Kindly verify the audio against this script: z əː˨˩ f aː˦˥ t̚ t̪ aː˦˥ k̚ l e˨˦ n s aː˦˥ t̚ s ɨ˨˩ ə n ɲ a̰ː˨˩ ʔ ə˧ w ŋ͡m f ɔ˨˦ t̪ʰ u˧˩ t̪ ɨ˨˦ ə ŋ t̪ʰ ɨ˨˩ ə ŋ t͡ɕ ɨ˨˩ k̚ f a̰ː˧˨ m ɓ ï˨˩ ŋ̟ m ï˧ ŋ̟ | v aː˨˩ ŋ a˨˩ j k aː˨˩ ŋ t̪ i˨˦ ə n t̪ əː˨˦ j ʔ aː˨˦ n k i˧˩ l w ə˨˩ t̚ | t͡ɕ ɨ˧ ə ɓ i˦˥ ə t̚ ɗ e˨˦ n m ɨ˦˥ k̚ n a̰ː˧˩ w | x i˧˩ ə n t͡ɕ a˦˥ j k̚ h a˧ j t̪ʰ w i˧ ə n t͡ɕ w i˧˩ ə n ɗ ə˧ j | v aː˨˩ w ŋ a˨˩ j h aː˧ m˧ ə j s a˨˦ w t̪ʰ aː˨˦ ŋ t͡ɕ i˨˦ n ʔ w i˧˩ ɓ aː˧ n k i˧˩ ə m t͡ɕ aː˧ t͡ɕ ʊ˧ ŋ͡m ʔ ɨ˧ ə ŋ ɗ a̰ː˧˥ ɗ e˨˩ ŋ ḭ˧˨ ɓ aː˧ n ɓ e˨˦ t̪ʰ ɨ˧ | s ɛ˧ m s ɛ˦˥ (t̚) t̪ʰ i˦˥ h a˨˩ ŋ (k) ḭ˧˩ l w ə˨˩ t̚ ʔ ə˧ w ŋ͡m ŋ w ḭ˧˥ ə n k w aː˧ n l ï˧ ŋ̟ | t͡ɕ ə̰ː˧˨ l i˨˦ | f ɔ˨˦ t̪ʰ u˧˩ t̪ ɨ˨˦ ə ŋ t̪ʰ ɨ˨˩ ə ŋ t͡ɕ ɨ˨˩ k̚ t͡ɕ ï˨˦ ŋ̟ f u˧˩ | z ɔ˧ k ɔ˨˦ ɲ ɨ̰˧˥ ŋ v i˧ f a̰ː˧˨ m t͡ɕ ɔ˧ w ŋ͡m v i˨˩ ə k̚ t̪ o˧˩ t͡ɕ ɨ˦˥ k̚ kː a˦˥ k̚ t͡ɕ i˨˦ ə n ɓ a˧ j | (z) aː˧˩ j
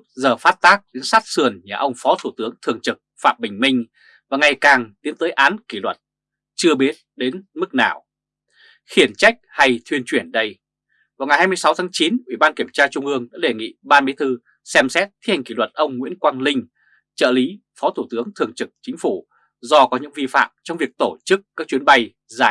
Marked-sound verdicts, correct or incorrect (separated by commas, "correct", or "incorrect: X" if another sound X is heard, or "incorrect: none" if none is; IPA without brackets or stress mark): correct, correct, correct